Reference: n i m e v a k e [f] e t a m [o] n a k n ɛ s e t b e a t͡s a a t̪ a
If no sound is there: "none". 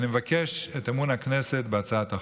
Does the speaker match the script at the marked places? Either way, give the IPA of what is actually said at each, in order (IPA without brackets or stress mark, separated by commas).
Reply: ʃ, u